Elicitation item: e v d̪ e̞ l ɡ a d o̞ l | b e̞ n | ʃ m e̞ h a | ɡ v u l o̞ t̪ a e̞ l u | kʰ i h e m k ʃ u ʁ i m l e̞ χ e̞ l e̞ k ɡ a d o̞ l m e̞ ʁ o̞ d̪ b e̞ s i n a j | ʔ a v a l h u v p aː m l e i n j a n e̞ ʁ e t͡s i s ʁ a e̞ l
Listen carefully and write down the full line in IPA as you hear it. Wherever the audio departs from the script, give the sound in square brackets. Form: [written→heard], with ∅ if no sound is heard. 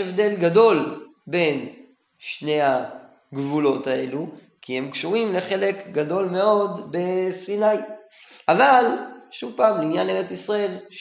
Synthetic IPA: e v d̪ e̞ l ɡ a d o̞ l | b e̞ n | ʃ [m→n] e̞ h a | ɡ v u l o̞ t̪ a e̞ l u | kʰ i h e m k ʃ u ʁ i m l e̞ χ e̞ l e̞ k ɡ a d o̞ l m e̞ [ʁ→∅] o̞ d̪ b e̞ s i n a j | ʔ a v a l [h→ʃ] u v p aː m l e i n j a n e̞ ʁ e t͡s i s ʁ a e̞ l